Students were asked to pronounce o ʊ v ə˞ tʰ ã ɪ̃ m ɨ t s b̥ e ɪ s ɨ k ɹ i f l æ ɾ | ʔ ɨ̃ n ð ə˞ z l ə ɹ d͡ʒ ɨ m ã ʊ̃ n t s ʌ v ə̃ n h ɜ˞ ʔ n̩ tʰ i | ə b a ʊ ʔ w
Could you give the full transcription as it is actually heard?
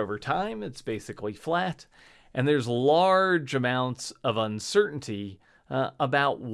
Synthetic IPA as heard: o ʊ v ə˞ tʰ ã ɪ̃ m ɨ t s b̥ e ɪ s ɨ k l i f l æ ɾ | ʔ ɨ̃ n ð ə˞ z l ɑ ɹ d͡ʒ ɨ m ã ʊ̃ n t s ʌ v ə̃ n s ɜ˞ ʔ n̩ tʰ i | ə b a ʊ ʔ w